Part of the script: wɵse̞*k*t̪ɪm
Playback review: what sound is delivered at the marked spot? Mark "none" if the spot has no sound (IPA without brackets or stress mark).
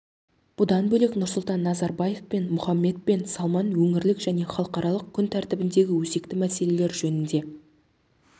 k